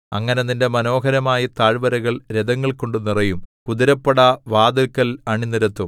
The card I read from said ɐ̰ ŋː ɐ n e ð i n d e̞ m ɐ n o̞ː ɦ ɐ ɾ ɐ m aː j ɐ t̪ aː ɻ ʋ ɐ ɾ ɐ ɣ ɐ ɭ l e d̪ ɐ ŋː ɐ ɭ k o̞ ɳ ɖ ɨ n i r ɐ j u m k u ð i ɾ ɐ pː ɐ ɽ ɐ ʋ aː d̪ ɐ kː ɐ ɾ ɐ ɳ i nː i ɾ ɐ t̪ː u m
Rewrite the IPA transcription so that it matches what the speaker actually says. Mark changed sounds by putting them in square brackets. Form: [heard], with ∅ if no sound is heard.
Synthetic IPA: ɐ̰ ŋː ɐ n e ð i n d e̞ m ɐ n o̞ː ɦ ɐ ɾ ɐ m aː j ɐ t̪ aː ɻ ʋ ɐ ɾ ɐ ɣ ɐ ɭ [ɾ] e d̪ ɐ ŋː ɐ ɭ k o̞ ɳ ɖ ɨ n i r ɐ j u m k u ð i ɾ ɐ pː ɐ ɽ ɐ ʋ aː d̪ ɐ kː ɐ [l] ɐ ɳ i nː i ɾ ɐ t̪ː u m